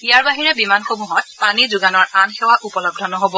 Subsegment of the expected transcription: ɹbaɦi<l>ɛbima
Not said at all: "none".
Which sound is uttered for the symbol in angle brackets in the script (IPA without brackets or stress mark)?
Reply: ɹ